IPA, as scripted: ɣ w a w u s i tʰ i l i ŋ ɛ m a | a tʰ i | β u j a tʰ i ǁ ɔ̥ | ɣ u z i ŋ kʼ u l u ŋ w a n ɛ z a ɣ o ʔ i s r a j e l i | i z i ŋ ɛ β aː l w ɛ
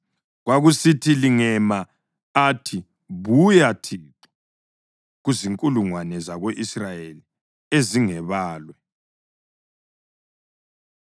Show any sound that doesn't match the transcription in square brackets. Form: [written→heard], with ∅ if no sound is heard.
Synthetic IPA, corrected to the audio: ɣ w a [w→ɣ] u s i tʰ i l i ŋ ɛ m a | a tʰ i | β u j a tʰ i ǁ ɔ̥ | ɣ u z i ŋ kʼ u l u ŋ w a n ɛ z a ɣ o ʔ i s r a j e l i | [i→e] z i ŋ ɛ β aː l w ɛ